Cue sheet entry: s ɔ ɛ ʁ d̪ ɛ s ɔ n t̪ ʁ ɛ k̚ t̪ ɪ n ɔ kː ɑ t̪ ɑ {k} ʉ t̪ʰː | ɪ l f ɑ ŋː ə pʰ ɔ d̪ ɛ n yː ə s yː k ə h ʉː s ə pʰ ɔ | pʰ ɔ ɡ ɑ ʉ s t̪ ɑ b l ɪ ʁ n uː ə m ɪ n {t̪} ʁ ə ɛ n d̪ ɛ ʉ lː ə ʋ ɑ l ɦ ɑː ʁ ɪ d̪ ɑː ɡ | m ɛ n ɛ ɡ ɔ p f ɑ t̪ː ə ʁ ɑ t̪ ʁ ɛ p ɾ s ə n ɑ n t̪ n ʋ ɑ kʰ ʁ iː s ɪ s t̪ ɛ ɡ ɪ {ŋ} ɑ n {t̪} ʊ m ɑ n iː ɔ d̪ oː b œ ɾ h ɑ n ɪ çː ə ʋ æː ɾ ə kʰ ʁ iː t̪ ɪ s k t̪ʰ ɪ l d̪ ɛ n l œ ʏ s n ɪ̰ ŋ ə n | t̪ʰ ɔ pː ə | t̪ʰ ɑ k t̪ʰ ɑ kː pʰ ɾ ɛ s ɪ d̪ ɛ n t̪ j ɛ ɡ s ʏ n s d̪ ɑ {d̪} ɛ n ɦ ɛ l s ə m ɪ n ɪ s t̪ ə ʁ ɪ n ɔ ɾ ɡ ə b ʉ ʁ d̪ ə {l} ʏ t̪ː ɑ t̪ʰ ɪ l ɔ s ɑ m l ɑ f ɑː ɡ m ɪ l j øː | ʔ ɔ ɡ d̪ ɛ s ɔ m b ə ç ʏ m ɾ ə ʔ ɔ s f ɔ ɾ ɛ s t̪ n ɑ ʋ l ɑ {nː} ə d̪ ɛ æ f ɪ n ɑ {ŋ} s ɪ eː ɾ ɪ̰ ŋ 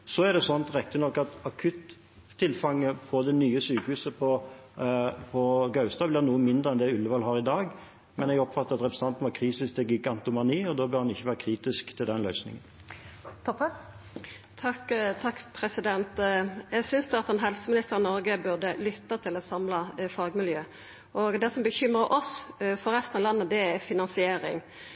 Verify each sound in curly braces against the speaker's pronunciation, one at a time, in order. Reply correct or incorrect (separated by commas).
incorrect, incorrect, incorrect, correct, incorrect, correct, correct, incorrect